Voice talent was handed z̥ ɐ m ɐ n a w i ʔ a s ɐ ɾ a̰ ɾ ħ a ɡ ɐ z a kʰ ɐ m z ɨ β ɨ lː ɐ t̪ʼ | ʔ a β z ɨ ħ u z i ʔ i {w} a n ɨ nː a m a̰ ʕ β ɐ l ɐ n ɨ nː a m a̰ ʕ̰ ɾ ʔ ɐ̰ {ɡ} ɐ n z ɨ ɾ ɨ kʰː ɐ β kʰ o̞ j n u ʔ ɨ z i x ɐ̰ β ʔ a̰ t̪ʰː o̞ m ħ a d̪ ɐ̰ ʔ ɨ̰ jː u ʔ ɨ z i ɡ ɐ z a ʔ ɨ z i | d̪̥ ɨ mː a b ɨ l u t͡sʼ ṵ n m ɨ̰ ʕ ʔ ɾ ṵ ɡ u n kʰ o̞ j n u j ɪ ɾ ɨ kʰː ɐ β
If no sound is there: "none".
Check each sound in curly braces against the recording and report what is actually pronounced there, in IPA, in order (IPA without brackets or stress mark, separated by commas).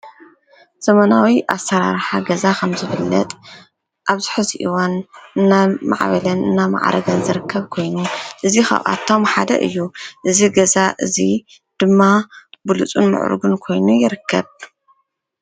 w, ɡ